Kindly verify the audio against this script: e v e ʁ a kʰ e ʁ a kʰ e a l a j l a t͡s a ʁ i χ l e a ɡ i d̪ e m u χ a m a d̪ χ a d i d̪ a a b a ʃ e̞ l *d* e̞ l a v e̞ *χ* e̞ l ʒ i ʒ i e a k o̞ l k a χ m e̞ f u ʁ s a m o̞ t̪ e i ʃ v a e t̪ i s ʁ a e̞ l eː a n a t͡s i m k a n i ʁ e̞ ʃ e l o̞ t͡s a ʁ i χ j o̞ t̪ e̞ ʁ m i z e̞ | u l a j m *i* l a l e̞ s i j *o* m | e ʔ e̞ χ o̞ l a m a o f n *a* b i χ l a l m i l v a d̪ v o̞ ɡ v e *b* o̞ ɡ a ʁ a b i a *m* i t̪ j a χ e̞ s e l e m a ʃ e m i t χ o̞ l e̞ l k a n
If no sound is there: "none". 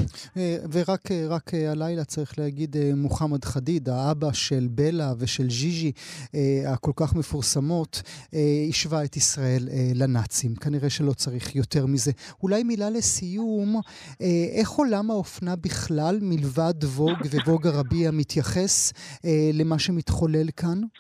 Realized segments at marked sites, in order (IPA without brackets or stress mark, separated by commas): b, ʃ, i, u, a, v, m